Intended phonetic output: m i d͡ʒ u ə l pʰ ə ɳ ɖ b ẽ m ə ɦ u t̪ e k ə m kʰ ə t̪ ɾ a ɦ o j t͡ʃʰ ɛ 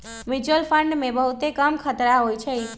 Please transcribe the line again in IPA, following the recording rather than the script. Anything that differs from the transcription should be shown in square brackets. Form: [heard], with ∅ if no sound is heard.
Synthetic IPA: m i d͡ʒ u ə l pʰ ə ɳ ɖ [m] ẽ [b] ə ɦ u t̪ e k ə m kʰ ə t̪ ɾ a ɦ o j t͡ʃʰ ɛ